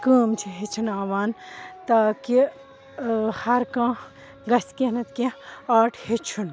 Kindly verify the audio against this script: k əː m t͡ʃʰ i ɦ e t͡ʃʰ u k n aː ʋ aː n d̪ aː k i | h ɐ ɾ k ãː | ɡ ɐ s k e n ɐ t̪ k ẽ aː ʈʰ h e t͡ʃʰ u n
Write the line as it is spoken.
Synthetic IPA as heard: k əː m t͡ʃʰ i ɦ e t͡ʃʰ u n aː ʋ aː n t̪ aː k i | h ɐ ɾ k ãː | ɡ ɐ s k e n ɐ t̪ k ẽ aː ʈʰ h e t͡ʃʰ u n